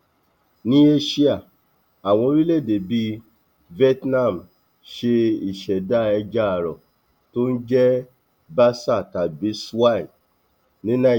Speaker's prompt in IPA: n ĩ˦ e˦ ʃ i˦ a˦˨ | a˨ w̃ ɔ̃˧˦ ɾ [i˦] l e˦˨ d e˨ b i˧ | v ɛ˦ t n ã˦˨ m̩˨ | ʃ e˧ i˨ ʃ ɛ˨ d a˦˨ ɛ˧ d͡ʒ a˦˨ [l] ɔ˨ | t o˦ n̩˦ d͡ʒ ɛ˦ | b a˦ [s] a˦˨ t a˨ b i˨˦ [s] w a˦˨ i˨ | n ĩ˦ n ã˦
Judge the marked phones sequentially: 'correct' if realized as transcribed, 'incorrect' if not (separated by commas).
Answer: correct, incorrect, correct, correct